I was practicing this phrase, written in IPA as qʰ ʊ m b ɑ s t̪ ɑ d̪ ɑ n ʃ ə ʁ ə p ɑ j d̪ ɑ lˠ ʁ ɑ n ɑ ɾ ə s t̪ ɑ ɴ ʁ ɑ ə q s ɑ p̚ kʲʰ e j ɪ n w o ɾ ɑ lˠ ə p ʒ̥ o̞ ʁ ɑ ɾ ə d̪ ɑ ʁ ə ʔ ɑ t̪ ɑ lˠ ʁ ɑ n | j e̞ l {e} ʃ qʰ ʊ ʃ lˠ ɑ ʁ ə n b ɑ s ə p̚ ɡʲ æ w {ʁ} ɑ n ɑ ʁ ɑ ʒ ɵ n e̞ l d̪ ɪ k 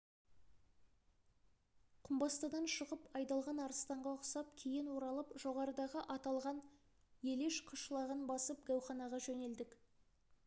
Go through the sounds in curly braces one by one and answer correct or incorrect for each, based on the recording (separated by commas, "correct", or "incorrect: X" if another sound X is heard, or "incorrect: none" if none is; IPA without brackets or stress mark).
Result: correct, incorrect: χ